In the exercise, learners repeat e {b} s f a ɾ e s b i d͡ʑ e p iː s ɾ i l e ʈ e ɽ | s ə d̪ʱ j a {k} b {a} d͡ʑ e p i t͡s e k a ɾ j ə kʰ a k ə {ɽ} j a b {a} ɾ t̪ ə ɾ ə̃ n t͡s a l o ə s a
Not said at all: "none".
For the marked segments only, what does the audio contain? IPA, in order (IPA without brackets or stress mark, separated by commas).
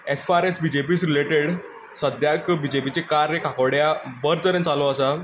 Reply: none, k, i, ɽ, ə